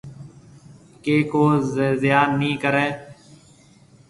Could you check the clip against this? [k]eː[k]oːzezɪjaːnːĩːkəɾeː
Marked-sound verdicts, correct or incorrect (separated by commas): correct, correct